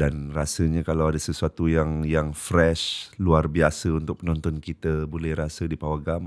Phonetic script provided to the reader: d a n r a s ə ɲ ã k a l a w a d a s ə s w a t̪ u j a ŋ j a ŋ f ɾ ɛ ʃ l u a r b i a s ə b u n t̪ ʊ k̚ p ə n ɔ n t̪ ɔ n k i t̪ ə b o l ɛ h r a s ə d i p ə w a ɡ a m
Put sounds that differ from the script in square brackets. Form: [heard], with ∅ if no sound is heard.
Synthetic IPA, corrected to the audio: d a n r a s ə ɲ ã k a l a w a d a s ə s [u] a t̪ u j a ŋ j a ŋ f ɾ ɛ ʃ l u a r b i a s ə [∅] u n t̪ ʊ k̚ p ə n ɔ n t̪ ɔ n k i t̪ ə b o l ɛ h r a s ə d i p [a] w a ɡ a m